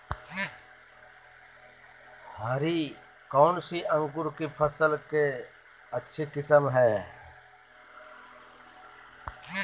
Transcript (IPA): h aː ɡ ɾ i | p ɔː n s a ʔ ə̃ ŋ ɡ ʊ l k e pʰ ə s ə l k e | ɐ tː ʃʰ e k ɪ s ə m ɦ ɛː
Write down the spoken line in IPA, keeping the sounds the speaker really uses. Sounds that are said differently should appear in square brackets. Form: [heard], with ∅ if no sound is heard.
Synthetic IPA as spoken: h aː [∅] ɾ i | [k] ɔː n s [i] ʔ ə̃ ŋ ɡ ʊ [ɾ] k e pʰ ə s ə l k e | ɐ tː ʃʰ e k ɪ s ə m ɦ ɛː